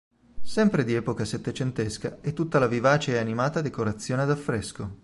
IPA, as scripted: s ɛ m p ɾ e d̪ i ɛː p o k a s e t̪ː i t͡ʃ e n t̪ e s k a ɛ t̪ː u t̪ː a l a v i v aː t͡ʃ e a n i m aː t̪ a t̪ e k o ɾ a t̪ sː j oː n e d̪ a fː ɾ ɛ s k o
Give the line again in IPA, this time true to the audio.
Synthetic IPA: s ɛ m p ɾ e d̪ i ɛː p o k a s e t̪ː e t͡ʃ e n t̪ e s k a ɛ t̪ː u t̪ː a l a v i v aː t͡ʃ e a n i m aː t̪ a d̪ e k o ɾ a t̪ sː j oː n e d̪ a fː ɾ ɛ s k o